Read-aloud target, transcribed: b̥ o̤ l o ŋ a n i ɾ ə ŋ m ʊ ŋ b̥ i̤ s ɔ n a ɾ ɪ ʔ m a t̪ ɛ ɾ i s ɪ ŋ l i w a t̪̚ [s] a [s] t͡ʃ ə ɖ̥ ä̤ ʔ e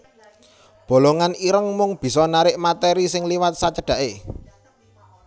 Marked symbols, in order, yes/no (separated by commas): yes, no